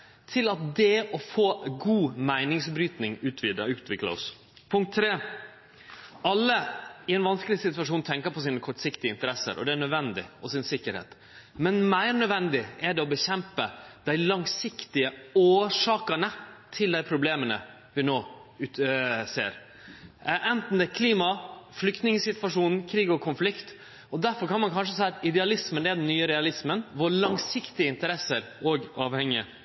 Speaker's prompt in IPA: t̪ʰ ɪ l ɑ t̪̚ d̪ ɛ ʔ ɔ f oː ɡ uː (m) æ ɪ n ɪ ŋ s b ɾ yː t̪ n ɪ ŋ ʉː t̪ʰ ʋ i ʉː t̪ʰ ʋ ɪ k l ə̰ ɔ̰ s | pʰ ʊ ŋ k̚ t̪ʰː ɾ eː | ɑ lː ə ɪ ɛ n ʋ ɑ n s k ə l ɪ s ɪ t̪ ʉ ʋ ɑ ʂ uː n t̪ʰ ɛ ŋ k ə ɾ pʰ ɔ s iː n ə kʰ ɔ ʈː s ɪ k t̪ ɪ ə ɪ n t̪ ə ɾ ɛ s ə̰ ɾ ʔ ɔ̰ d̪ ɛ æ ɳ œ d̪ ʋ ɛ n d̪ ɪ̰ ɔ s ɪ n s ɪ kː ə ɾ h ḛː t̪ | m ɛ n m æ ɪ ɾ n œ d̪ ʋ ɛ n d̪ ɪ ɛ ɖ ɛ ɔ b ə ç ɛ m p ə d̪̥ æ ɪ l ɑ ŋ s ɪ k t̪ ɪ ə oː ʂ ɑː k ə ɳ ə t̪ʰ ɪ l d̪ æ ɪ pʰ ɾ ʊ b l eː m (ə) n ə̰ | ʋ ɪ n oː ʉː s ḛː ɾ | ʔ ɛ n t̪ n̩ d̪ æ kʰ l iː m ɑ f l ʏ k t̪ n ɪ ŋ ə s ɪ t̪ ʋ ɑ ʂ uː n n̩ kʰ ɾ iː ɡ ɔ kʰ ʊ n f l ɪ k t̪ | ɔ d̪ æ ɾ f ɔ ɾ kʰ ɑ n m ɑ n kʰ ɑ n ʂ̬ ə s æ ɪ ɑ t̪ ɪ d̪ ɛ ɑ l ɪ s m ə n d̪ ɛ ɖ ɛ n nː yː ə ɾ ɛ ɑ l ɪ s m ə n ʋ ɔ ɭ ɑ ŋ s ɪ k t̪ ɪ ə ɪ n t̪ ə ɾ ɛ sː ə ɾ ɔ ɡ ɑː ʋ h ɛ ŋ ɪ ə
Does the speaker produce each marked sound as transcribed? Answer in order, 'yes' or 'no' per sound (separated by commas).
yes, yes